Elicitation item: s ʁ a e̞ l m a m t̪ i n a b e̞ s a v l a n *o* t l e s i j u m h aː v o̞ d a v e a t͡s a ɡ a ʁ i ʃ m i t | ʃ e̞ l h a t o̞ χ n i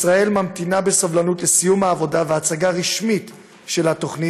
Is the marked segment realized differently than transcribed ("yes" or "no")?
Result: yes